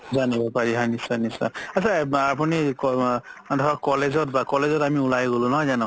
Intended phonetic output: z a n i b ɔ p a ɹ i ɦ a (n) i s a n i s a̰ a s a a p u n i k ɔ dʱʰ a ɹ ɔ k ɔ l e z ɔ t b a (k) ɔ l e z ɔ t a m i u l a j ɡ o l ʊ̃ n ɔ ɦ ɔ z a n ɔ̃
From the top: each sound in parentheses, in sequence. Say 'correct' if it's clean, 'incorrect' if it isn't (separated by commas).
correct, correct